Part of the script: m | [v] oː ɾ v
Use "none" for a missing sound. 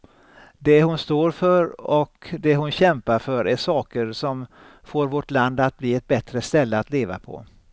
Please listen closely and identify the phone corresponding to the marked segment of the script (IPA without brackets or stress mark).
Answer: f